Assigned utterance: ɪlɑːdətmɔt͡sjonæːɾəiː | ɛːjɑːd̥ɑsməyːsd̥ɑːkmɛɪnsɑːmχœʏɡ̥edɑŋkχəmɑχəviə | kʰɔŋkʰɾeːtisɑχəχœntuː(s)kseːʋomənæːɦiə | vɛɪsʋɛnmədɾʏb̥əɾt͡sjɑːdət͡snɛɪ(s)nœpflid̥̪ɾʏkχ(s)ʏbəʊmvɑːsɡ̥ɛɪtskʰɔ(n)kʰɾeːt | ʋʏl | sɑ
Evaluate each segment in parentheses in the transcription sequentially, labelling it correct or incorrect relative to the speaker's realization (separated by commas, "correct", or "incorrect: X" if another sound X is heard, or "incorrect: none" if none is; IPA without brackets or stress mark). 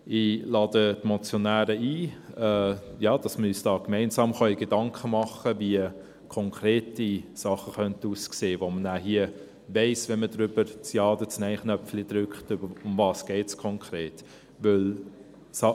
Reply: correct, incorrect: χ, incorrect: t, incorrect: ŋ